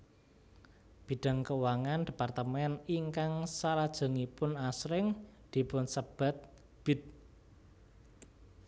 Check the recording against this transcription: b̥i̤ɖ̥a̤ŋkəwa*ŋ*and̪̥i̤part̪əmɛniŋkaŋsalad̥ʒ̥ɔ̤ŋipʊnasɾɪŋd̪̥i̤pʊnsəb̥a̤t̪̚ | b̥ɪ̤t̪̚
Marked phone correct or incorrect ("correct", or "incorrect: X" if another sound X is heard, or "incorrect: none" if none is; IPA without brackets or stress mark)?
correct